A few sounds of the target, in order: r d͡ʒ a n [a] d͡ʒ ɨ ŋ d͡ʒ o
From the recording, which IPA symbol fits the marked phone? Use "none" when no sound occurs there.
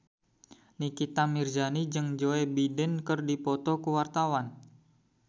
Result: i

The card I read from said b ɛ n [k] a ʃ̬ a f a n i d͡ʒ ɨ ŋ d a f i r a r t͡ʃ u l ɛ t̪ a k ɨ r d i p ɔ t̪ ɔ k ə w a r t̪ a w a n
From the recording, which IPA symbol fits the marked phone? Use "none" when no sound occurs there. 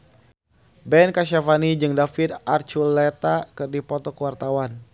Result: k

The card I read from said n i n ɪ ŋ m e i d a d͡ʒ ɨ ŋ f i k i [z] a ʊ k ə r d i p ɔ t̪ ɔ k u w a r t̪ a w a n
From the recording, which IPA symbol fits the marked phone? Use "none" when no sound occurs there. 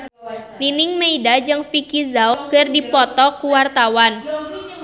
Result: z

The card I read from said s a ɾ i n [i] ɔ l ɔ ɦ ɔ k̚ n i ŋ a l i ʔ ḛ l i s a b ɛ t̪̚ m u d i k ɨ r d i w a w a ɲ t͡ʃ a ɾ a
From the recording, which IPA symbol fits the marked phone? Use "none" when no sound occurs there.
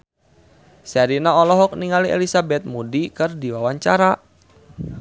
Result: a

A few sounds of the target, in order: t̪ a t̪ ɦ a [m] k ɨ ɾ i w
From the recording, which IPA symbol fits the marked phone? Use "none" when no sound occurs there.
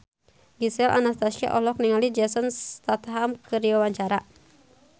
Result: m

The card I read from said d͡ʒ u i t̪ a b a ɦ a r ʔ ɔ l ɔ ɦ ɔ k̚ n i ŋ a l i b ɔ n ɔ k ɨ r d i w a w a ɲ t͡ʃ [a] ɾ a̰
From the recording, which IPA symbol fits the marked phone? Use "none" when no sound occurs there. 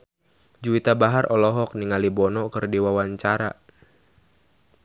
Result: a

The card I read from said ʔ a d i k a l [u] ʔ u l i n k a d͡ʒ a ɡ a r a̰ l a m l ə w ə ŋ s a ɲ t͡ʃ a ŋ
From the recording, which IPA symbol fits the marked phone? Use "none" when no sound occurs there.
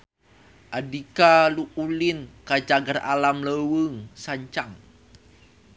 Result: u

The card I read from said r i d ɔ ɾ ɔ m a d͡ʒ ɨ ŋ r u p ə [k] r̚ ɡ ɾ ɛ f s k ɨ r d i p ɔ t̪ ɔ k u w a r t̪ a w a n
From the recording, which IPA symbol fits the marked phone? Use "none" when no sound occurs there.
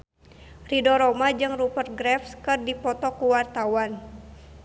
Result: none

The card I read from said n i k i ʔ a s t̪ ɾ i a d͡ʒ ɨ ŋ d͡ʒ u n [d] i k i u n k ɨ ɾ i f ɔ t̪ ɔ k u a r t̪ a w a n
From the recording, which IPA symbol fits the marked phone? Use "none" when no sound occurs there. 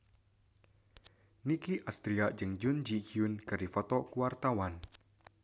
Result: d͡ʒ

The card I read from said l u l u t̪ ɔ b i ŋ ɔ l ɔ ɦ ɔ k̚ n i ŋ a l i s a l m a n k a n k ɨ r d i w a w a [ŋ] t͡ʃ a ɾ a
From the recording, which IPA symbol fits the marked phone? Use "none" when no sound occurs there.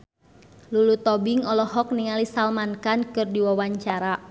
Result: ɲ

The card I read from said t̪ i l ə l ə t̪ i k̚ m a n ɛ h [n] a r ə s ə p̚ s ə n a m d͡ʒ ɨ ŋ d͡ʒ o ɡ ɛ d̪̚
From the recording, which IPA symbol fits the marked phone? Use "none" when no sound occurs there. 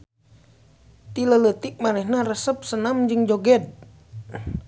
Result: n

